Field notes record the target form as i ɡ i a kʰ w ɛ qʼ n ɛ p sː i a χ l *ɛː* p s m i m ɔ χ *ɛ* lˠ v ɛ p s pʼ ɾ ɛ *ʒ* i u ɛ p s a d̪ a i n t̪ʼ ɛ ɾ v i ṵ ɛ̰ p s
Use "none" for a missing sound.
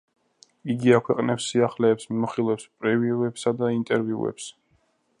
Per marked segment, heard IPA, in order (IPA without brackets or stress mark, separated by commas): ɛː, i, v